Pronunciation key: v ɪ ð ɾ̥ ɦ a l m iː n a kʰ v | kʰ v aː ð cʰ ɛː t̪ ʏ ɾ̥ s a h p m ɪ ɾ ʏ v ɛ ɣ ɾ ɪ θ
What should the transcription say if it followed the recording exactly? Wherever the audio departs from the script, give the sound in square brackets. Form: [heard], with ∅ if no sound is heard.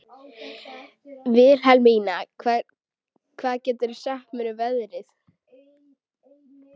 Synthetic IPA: v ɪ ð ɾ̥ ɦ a l m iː n a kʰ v | kʰ v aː ð [c] ɛː t̪ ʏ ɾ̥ s a h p m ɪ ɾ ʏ v ɛ [ð] ɾ ɪ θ